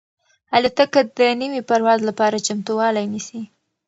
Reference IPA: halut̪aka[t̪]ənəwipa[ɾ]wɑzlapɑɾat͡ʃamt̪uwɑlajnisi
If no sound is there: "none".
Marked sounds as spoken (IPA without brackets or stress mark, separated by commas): d̪, ɾ